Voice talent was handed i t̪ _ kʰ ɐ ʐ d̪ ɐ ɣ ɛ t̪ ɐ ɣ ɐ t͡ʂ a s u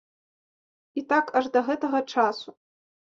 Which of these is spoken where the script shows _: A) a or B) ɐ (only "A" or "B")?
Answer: A